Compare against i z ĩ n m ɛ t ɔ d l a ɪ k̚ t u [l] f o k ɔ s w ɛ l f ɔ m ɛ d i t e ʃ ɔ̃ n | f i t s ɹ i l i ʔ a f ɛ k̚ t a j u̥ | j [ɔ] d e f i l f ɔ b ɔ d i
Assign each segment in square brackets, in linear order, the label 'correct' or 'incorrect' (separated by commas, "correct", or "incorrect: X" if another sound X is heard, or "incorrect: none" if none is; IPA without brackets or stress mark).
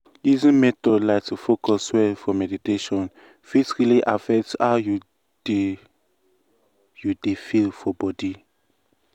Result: incorrect: none, incorrect: u